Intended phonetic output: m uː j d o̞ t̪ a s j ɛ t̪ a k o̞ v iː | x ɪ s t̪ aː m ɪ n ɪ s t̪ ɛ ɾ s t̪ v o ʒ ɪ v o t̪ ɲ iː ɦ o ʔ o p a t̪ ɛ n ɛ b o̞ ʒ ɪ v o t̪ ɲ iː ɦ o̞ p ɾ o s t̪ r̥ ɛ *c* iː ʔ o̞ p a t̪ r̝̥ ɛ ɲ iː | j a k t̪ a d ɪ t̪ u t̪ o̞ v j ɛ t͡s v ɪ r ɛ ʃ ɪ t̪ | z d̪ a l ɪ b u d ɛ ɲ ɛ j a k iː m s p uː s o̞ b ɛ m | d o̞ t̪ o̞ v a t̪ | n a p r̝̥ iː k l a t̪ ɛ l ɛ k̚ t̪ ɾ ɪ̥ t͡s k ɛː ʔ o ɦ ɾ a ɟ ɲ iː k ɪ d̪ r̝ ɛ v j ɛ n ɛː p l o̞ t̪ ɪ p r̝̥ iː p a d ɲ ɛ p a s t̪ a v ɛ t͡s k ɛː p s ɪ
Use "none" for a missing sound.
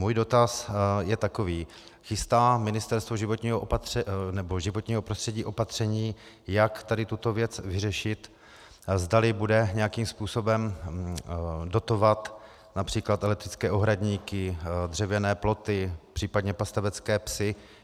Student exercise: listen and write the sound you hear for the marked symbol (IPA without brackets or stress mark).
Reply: ɟ